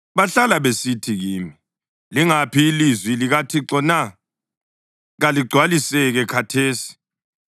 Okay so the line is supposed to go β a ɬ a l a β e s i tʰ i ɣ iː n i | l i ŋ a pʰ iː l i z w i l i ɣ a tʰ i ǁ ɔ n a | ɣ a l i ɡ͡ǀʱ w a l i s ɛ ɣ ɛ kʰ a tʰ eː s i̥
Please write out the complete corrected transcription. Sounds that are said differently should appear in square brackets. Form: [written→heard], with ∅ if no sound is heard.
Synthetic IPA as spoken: β a ɬ a l a β e s i tʰ i ɣ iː [n→m] i | l i ŋ a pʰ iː l i z w i l i ɣ a tʰ i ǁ ɔ n a | ɣ a l i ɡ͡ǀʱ w a l i s ɛ ɣ ɛ kʰ a tʰ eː s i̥